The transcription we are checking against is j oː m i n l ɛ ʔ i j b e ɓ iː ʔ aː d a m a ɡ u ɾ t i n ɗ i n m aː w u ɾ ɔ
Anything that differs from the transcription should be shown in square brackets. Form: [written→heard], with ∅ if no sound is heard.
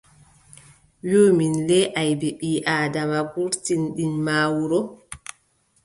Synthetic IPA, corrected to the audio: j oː m i n l ɛ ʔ [i→a] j b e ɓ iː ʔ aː d a m a ɡ u ɾ t i n ɗ i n m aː w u ɾ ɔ